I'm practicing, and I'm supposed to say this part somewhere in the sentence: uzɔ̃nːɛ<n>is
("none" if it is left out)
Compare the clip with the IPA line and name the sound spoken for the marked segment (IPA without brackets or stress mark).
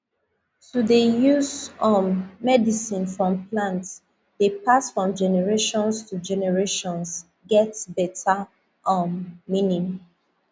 d